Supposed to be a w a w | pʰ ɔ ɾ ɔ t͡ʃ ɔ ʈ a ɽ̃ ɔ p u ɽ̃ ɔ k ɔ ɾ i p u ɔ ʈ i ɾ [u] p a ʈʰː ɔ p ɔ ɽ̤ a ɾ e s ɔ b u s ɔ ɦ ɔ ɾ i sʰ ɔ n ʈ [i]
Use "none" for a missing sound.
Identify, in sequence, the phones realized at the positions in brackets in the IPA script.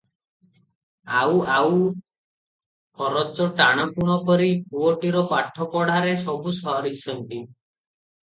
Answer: ɔ, i

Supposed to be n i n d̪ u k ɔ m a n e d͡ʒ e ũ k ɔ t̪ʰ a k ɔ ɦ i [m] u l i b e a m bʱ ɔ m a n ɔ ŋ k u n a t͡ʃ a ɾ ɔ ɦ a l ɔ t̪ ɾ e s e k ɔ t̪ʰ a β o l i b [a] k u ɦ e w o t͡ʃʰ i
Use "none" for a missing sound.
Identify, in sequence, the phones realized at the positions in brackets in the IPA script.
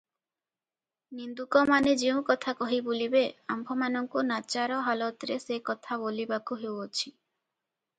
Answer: b, a

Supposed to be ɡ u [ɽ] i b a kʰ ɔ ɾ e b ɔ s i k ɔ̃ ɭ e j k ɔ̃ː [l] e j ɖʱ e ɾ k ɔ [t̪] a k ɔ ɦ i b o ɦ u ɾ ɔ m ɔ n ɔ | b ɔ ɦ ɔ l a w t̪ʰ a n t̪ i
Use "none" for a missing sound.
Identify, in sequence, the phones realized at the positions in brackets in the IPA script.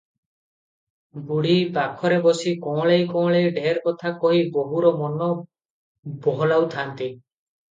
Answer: ɽ, ɭ, t̪ʰ

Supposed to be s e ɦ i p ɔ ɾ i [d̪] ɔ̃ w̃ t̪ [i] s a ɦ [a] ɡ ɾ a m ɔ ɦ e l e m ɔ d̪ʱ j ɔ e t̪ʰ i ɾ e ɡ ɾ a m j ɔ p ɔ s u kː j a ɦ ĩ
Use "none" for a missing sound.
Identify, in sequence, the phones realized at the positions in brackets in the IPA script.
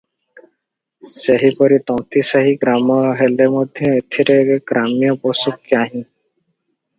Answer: t̪, i, i

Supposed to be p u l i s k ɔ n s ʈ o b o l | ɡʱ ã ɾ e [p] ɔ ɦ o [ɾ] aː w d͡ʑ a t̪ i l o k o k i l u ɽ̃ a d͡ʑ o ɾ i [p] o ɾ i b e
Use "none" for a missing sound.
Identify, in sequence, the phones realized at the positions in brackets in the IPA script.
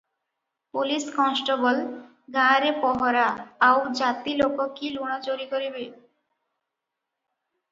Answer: p, ɾ, k

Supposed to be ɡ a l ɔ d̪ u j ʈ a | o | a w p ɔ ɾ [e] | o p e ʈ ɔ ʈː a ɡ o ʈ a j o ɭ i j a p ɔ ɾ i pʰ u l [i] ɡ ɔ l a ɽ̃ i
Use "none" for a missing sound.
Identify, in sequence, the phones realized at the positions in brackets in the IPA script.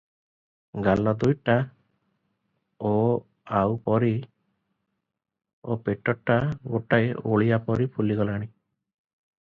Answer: i, i

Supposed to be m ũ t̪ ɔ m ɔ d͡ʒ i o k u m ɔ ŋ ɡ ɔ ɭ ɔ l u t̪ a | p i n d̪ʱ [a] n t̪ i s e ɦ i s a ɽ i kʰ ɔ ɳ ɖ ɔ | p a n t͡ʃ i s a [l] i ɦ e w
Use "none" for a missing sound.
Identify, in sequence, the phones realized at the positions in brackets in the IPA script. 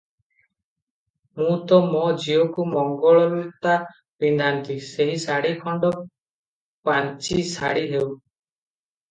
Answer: a, ɽ

